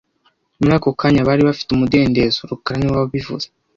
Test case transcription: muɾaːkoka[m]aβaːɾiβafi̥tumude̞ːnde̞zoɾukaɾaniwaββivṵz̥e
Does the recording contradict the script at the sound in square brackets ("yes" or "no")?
yes